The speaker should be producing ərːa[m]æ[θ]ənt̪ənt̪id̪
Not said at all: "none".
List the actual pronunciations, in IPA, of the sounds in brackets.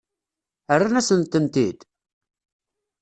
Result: n, s

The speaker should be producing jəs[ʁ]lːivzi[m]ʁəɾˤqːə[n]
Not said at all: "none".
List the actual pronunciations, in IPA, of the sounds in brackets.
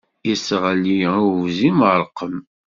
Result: ʁ, m, m

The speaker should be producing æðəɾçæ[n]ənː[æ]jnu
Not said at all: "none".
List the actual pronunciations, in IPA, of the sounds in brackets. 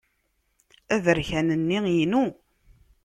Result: n, i

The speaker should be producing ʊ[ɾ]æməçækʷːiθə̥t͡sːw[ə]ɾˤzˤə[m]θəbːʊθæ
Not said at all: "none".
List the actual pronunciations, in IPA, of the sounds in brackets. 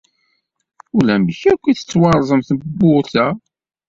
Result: l, ɑ, m

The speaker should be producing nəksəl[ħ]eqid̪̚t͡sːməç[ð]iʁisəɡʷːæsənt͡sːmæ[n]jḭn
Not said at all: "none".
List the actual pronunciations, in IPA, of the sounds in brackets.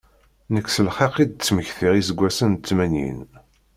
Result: χ, θ, n

